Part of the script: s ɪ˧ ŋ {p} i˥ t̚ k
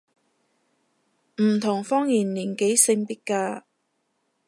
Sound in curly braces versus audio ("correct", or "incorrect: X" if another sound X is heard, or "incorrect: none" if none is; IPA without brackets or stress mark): correct